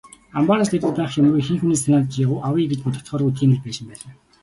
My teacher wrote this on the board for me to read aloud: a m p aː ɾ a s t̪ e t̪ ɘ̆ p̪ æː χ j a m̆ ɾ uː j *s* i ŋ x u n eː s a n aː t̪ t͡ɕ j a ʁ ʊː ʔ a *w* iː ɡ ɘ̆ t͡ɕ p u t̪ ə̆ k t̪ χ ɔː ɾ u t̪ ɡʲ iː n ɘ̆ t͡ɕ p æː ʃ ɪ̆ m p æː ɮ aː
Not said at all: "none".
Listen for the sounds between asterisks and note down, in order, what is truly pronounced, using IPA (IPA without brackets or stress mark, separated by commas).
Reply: x, w